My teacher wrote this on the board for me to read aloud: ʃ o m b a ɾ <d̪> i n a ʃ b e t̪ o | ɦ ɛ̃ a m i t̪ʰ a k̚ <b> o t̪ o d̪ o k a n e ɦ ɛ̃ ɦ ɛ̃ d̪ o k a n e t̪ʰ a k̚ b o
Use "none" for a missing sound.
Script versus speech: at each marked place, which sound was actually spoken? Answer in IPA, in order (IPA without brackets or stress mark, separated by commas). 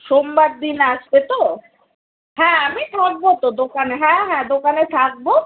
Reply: d̪, b